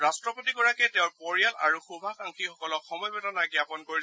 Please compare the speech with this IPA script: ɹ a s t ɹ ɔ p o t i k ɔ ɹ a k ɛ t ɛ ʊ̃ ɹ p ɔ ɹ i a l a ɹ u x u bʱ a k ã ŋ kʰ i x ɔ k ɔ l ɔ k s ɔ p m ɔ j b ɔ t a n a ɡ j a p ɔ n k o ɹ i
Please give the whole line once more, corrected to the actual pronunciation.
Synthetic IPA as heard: ɹ a s t ɹ ɔ p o t i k ɔ ɹ a k ɛ t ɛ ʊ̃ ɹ p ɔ ɹ i a l a ɹ u x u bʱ a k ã ŋ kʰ i x ɔ k ɔ l ɔ k x ɔ m ɔ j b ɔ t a n a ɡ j a p ɔ n k o ɹ i

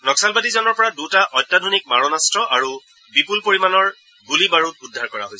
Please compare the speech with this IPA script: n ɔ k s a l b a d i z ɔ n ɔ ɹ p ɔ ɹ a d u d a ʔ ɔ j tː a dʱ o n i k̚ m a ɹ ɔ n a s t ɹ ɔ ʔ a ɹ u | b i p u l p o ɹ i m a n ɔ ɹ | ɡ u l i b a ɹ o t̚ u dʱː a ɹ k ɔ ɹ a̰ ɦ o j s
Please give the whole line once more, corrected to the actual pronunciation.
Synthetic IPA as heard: n ɔ k s a l b a d i z ɔ n ɔ ɹ p ɔ ɹ a d u t a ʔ ɔ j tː a dʱ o n i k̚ m a ɹ ɔ n a s t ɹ ɔ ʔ a ɹ u | b i p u l p o ɹ i m a n ɔ ɹ | ɡ u l i b a ɹ u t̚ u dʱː a ɹ k ɔ ɹ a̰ ɦ o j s

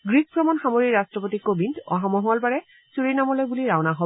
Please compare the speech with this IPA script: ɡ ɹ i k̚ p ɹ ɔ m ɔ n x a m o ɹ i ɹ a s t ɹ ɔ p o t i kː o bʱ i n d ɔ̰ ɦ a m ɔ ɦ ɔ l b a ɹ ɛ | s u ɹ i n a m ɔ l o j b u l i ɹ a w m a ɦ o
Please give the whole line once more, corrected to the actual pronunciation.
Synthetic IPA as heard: ɡ ɹ i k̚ p ɹ ɔ m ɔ n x a m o ɹ i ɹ a s t ɹ ɔ p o t i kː o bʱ i n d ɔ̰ ɦ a m ɔ ɦ ɔ l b a ɹ ɛ | s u ɹ i n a m ɔ l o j b u l i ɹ a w n a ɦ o

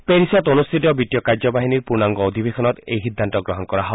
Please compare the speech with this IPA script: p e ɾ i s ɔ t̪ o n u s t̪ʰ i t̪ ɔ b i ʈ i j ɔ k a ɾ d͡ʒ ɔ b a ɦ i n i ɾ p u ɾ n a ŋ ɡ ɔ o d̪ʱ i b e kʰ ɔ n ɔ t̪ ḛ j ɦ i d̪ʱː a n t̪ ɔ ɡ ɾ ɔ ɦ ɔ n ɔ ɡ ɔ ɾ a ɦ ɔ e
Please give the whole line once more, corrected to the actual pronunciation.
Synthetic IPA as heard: p e ɾ i s ɔ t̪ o n u s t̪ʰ i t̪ ɔ b i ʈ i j ɔ k a ɾ d͡ʒ ɔ b a ɦ i n i ɾ p u ɾ n a ŋ ɡ ɔ o d̪ʱ i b e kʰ ɔ n ɔ t̪ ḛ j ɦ i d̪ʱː a n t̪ ɔ ɡ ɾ ɔ ɦ ɔ n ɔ k ɔ ɾ a ɦ ɔ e

